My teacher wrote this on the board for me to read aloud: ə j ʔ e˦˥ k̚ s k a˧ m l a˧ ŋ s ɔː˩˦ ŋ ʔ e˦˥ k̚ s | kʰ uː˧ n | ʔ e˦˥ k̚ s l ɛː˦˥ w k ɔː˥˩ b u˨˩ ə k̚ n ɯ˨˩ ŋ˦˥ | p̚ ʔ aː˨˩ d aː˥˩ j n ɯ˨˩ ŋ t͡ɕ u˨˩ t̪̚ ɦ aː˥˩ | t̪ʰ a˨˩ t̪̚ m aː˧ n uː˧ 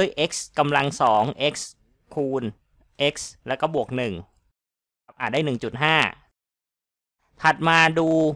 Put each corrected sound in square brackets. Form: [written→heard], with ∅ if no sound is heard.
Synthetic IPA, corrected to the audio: ə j ʔ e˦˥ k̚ s k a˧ m l a˧ ŋ s ɔː˩˦ ŋ ʔ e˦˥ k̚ s | kʰ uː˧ n | ʔ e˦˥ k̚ s l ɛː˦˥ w k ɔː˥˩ b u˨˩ ə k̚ n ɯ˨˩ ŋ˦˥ | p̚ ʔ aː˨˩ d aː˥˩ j n ɯ˨˩ ŋ t͡ɕ u˨˩ t̪̚ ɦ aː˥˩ | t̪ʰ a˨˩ t̪̚ m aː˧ [n→d] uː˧